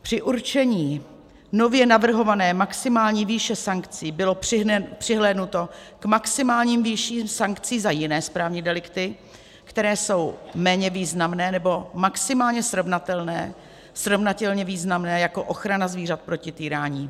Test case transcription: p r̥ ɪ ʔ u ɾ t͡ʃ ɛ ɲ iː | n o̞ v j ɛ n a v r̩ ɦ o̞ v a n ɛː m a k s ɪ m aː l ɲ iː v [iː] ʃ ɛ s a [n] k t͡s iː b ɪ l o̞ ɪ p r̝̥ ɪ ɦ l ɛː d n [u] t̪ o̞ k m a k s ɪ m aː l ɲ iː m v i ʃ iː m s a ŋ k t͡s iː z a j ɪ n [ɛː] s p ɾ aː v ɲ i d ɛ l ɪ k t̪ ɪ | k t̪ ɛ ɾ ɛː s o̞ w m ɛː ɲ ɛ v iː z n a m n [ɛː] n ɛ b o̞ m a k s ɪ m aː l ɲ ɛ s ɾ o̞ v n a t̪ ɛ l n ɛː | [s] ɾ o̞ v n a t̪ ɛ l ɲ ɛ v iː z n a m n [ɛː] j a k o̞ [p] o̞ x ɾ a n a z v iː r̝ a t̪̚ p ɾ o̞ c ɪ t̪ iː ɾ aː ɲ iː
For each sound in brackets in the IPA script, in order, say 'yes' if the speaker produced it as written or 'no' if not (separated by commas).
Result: yes, no, yes, yes, yes, yes, yes, no